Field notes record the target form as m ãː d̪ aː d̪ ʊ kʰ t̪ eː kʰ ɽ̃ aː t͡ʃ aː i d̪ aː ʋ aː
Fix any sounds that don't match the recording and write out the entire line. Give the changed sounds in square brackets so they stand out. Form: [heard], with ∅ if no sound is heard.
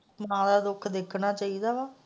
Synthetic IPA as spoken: m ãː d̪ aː d̪ ʊ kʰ [d̪] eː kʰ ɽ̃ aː t͡ʃ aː i d̪ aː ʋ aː